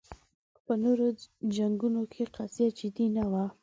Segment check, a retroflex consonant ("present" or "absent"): absent